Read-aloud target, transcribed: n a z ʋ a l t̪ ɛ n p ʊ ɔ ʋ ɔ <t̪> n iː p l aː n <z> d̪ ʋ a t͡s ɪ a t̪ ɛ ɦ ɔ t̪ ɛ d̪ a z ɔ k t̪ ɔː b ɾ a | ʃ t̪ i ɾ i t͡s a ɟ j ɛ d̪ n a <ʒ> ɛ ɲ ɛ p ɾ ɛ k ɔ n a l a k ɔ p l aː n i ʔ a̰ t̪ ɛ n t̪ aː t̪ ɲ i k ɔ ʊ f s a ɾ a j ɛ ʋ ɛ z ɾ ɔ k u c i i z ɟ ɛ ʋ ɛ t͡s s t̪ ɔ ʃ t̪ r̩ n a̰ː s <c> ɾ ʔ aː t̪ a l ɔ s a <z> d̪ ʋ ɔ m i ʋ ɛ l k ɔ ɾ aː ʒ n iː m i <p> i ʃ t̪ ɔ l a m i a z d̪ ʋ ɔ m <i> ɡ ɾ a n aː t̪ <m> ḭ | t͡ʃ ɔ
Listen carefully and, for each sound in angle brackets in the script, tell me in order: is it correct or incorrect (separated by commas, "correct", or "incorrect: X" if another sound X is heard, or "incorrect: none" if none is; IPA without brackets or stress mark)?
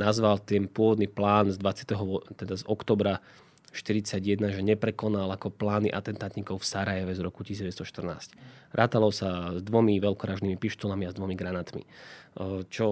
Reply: incorrect: d̪, correct, correct, correct, correct, correct, correct, correct